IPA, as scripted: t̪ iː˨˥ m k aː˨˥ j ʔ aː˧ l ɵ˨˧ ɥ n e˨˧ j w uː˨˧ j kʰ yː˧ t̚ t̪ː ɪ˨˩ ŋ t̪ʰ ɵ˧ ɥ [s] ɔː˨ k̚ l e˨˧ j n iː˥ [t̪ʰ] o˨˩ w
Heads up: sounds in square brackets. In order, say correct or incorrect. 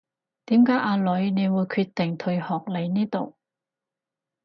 incorrect, incorrect

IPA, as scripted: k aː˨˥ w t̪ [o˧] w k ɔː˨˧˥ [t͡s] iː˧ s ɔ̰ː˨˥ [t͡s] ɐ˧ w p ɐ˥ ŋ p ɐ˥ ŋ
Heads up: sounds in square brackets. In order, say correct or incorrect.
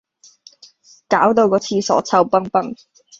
correct, incorrect, incorrect

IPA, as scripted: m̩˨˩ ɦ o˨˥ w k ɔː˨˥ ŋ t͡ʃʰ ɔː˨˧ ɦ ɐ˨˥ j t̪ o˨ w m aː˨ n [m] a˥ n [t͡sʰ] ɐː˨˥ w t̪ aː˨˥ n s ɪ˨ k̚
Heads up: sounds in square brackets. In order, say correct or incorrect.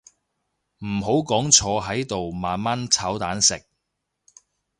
correct, correct

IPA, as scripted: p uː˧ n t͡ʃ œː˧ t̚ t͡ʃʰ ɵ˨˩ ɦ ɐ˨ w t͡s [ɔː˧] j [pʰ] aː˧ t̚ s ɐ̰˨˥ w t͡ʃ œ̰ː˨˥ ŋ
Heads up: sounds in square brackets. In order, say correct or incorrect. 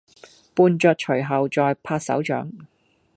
correct, correct

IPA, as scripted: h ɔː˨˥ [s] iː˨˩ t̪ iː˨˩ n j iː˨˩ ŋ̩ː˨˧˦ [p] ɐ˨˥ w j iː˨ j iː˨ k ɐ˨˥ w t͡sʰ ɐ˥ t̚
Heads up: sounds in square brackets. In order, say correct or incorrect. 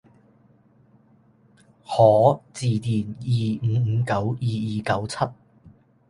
incorrect, incorrect

